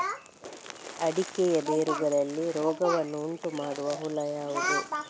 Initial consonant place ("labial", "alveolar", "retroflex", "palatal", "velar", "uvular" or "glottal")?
retroflex